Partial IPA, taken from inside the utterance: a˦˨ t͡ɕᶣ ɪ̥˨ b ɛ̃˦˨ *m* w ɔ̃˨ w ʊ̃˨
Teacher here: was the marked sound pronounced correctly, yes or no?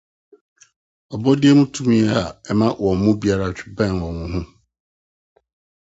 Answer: no